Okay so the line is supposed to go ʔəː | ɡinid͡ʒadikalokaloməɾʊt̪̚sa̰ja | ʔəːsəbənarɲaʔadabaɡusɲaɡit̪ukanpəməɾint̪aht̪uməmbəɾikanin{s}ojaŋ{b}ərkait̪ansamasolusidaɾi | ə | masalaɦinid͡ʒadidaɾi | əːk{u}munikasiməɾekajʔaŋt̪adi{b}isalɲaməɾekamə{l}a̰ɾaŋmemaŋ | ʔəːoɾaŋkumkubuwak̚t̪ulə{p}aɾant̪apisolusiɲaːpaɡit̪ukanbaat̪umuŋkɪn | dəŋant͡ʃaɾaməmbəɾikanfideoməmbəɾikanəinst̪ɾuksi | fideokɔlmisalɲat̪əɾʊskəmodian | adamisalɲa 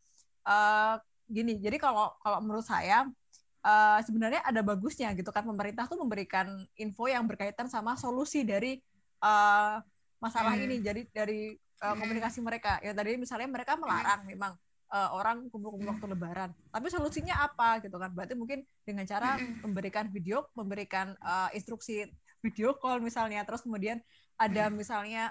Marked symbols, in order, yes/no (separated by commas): no, yes, no, no, yes, no